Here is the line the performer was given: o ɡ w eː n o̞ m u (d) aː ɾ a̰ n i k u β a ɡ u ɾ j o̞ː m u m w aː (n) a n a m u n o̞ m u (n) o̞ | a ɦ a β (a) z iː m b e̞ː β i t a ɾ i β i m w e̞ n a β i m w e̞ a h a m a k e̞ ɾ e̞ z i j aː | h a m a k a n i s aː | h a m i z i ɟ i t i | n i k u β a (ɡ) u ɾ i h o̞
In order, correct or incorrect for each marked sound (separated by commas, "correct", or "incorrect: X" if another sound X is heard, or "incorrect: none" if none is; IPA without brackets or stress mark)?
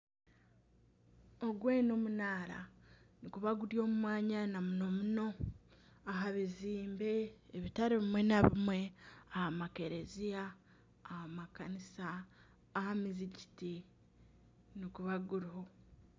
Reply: incorrect: n, incorrect: ɲ, correct, incorrect: i, correct